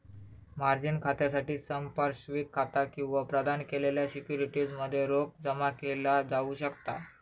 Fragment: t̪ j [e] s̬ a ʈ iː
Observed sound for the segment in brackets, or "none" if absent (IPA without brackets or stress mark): a